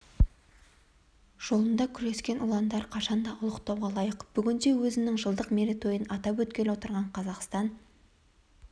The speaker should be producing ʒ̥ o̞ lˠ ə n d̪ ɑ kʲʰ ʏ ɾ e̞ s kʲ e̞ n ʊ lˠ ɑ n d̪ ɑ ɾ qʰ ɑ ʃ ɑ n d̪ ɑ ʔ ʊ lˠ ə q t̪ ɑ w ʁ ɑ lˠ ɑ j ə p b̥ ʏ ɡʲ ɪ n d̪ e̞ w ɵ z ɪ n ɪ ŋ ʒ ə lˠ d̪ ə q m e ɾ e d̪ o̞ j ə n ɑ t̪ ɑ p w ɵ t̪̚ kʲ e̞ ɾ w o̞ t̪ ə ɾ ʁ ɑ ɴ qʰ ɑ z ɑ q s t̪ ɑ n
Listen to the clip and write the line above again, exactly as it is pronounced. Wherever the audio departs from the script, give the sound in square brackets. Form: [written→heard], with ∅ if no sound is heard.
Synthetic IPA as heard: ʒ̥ o̞ lˠ ə n d̪ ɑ kʲʰ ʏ ɾ e̞ s kʲ e̞ n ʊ lˠ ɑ n d̪ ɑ ɾ qʰ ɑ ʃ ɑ n d̪ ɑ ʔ ʊ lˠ ə q t̪ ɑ w ʁ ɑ lˠ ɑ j ə [p→q] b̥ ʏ ɡʲ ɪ n d̪ e̞ w ɵ z ɪ n ɪ ŋ ʒ ə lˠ d̪ ə q m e ɾ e [d̪→t̪] o̞ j ə n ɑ t̪ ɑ p w ɵ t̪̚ kʲ e̞ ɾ w o̞ t̪ ə ɾ ʁ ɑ ɴ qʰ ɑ z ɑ q s t̪ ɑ n